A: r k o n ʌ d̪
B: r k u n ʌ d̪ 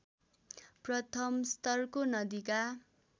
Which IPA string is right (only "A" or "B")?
A